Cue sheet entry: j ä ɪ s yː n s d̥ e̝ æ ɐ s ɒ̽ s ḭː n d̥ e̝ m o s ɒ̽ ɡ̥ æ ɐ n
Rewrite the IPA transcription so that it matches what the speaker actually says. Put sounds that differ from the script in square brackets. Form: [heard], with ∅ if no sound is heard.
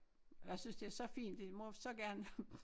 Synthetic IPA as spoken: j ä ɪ s [y] n s d̥ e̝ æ ɐ s ɒ̽ [f] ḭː n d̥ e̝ m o s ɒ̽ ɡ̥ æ ɐ n